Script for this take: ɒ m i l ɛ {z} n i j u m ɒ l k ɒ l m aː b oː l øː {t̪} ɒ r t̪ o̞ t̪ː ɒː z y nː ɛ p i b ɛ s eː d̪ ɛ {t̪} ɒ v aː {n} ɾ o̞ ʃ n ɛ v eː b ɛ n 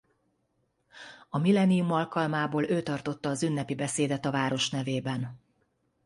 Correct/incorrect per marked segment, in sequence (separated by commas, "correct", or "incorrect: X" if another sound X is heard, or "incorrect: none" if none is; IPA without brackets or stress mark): incorrect: none, correct, correct, incorrect: none